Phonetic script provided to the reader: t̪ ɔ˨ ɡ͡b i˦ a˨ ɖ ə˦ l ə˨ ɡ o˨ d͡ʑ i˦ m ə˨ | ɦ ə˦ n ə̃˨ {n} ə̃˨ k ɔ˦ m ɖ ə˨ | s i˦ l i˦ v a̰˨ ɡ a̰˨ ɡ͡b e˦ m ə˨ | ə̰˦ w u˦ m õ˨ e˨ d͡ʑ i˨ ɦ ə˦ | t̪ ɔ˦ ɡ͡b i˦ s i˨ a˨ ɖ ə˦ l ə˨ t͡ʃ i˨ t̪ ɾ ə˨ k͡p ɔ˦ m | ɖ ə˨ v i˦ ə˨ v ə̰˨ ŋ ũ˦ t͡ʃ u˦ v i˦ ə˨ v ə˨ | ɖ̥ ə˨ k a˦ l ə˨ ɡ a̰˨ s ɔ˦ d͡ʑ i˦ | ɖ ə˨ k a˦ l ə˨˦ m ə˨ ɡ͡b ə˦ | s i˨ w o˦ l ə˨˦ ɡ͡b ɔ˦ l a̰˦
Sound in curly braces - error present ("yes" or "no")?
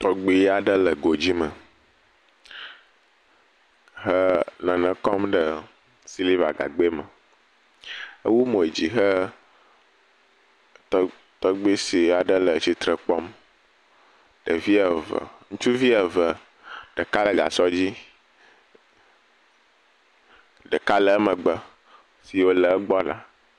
no